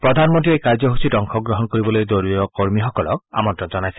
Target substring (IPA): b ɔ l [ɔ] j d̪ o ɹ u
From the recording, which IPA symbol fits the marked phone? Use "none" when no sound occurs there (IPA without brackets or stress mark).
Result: o